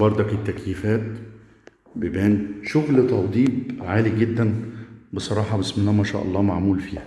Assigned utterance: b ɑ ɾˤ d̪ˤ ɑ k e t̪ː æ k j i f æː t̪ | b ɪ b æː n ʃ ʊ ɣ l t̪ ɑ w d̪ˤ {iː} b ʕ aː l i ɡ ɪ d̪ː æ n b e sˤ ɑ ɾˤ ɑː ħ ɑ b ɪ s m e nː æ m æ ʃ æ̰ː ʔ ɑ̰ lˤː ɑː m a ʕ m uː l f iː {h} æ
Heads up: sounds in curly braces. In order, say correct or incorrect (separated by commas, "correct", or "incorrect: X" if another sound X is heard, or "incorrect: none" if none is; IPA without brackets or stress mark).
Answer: correct, correct